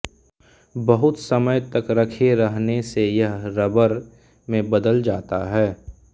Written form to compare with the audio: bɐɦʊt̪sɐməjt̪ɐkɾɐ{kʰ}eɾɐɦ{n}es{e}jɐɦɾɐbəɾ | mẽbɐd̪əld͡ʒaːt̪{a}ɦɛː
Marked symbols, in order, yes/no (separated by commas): yes, yes, yes, yes